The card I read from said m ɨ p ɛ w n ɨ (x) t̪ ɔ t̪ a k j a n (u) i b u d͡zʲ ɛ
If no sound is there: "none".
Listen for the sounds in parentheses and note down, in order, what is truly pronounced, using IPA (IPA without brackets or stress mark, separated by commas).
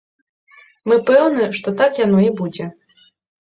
ʂ, ɔ